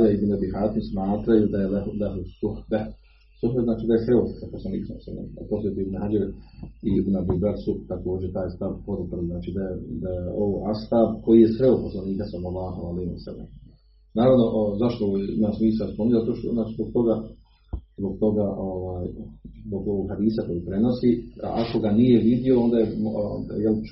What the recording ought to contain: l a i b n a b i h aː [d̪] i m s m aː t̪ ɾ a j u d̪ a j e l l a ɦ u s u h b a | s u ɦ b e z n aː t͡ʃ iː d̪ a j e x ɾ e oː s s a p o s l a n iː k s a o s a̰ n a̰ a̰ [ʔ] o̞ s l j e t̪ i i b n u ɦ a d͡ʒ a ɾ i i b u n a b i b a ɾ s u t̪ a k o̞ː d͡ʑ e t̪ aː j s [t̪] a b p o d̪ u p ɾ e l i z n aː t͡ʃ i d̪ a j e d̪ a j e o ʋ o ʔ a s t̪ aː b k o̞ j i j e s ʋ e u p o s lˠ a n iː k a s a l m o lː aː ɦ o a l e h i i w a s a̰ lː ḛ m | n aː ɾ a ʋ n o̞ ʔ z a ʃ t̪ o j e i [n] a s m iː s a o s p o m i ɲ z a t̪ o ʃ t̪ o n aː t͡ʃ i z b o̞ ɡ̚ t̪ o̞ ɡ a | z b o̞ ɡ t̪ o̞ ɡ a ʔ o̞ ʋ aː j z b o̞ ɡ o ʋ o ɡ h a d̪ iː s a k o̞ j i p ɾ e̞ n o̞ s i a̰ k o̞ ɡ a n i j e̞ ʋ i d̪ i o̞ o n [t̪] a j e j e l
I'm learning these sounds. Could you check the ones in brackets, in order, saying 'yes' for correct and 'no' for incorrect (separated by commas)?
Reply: no, no, yes, no, no